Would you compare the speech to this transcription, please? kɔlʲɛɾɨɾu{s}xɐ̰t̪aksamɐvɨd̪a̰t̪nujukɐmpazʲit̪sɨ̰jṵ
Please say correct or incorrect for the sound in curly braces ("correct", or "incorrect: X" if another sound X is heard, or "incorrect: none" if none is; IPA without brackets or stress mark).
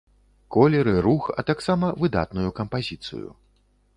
incorrect: none